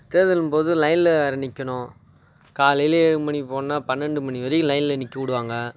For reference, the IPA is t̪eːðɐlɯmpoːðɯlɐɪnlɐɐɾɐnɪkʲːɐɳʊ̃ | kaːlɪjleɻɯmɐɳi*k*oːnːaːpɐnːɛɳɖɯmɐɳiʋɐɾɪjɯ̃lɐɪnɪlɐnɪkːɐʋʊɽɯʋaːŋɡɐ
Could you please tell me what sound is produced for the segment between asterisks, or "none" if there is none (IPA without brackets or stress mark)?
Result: p